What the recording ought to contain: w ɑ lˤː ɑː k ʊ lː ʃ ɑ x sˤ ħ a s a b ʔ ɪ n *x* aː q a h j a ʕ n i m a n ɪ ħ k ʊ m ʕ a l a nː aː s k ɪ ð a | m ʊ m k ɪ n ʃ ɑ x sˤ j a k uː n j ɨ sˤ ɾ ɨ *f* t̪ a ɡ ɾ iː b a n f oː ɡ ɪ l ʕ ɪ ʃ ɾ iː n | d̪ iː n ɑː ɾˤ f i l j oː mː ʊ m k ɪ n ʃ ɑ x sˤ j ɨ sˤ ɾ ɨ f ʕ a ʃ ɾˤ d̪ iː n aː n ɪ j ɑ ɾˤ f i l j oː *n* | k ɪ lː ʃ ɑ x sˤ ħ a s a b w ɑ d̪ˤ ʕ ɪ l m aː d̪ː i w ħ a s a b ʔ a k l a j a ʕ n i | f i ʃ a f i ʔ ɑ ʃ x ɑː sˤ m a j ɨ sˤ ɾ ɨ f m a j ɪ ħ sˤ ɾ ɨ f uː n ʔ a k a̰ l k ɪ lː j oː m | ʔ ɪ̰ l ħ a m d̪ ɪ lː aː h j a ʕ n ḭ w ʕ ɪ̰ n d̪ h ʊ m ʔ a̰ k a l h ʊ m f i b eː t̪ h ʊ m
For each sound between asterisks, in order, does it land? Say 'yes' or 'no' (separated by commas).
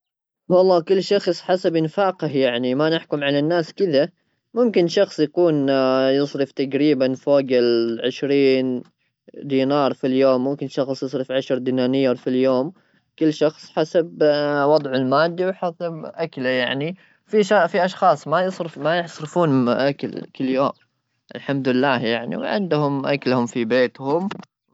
no, yes, no